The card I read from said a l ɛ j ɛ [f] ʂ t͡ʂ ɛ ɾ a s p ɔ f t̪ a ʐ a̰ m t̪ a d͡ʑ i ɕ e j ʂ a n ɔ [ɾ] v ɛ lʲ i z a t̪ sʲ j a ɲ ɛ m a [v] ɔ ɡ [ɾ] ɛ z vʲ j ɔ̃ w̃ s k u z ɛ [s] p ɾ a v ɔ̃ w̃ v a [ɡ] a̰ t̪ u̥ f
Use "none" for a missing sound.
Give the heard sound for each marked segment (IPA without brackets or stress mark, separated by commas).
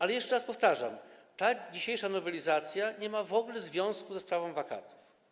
none, none, v, l, s, k